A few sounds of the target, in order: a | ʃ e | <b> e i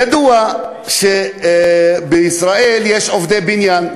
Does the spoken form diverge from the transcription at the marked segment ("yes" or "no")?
no